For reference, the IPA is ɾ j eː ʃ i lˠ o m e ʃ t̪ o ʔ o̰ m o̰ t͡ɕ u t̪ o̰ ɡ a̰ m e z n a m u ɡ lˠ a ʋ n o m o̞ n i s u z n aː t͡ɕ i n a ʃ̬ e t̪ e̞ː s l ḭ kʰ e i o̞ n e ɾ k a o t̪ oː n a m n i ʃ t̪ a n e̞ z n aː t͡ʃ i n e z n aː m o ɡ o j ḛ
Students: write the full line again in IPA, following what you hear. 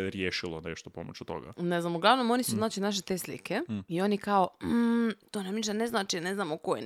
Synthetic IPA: ɾ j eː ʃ i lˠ o n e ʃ t̪ o p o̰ m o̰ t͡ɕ u t̪ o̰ ɡ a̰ n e z n a m u ɡ lˠ a ʋ n o m o̞ n i s u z n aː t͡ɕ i n a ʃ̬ e t̪ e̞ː s l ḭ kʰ e i o̞ n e k a o t̪ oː n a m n i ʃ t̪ a n e̞ z n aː t͡ʃ i n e z n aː m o k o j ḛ